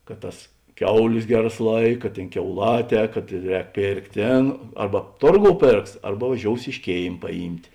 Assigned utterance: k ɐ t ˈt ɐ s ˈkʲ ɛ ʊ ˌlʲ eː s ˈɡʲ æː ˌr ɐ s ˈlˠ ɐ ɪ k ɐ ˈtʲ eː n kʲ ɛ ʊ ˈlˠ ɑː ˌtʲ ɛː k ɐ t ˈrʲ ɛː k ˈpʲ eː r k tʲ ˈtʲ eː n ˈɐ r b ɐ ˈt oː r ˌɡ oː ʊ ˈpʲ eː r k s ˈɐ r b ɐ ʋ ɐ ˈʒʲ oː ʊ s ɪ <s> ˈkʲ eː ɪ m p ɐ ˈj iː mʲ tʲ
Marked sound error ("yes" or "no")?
yes